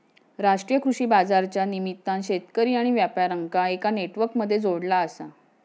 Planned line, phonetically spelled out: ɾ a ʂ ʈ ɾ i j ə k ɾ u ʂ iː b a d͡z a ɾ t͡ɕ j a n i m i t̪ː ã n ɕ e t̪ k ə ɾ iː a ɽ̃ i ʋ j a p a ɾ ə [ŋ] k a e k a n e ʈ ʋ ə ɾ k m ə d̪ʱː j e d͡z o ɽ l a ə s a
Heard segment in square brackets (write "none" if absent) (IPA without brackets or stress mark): ŋ